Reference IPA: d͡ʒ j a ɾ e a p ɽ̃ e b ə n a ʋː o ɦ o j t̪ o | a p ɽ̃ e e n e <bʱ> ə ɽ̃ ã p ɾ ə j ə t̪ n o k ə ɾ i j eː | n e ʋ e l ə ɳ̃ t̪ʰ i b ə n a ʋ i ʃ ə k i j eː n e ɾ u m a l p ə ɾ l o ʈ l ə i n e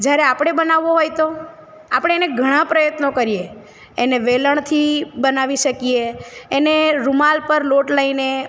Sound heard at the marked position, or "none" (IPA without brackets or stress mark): ɡʱ